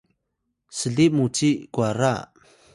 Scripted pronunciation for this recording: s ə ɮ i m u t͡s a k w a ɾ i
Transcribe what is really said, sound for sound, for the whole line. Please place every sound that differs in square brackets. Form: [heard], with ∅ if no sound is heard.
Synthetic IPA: s ə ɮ i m u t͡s [i] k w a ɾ [a]